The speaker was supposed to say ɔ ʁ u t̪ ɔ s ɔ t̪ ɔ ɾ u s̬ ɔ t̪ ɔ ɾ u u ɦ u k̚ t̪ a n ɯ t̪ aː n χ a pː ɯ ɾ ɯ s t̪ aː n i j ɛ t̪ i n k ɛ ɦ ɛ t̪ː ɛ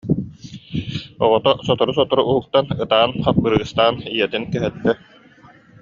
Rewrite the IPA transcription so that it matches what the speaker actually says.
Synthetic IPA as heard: ɔ ʁ ɔ t̪ ɔ s ɔ t̪ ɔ ɾ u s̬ ɔ t̪ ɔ ɾ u u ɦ u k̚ t̪ a n ɯ t̪ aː n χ a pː ɯ ɾ ɯː s t̪ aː n i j ɛ t̪ i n k ɛ ɦ ɛ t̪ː ɛ